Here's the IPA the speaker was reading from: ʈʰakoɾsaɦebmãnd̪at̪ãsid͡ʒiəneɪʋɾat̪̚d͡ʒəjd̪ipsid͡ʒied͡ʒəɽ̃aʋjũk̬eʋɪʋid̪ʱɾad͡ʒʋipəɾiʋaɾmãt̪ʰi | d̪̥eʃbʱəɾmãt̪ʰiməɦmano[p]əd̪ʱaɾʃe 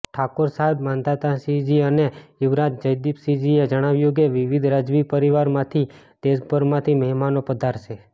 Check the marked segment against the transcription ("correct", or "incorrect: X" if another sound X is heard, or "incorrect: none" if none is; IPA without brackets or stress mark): correct